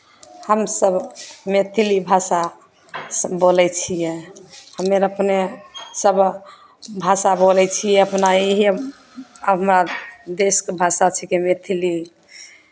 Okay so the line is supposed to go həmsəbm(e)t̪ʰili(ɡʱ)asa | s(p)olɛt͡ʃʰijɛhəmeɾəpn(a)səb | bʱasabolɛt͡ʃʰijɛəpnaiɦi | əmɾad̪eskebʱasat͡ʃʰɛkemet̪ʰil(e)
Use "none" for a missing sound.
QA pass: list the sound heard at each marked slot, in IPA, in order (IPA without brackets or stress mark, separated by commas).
e, bʱ, b, e, i